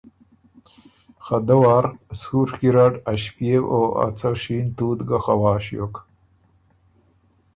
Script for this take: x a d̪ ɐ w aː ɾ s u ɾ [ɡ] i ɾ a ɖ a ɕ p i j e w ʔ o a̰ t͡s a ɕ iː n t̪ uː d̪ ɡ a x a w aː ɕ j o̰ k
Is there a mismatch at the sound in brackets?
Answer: yes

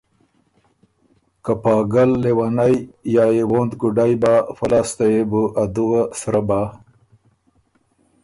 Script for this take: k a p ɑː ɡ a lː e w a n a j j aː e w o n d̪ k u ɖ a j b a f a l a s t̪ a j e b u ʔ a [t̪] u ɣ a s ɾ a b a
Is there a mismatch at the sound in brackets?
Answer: yes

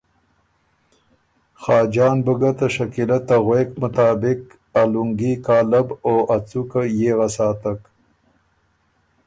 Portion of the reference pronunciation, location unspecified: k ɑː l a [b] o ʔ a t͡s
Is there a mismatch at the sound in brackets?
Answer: no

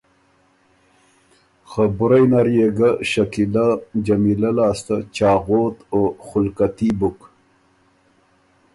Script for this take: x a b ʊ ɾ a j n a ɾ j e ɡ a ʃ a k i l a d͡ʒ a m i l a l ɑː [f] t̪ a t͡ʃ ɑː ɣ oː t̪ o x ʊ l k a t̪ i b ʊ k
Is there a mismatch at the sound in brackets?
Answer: yes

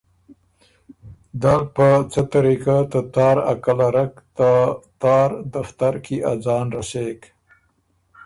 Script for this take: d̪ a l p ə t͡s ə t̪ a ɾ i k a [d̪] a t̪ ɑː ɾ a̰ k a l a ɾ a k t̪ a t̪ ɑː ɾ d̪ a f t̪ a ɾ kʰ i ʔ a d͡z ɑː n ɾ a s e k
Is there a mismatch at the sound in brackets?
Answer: yes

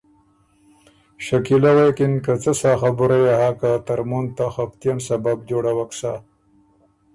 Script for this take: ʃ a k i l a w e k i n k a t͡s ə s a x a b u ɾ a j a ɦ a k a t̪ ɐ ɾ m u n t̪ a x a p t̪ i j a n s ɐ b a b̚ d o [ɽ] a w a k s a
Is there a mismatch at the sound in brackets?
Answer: no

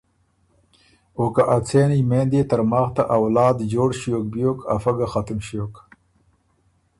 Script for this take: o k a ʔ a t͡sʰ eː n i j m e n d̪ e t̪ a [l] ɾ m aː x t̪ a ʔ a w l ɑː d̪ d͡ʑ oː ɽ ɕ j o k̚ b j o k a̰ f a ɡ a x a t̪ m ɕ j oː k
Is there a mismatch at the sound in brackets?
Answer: yes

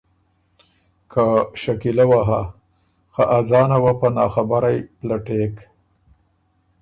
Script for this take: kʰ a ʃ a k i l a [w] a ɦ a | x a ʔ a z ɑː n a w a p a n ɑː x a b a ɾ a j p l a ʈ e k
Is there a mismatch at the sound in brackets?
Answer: no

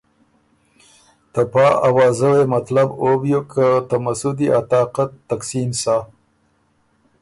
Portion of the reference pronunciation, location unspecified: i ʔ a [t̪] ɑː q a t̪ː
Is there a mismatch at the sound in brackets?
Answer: no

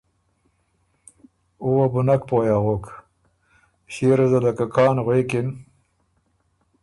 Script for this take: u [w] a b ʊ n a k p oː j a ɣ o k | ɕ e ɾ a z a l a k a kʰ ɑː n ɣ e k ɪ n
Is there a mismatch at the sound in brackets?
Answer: no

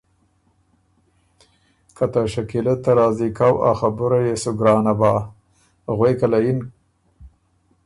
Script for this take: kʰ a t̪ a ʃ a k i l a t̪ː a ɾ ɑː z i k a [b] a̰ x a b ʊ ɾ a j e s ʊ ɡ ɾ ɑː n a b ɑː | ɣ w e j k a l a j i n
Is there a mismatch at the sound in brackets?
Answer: yes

